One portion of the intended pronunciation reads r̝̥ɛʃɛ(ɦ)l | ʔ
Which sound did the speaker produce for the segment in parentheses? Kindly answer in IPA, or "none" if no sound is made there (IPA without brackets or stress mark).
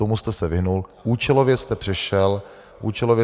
none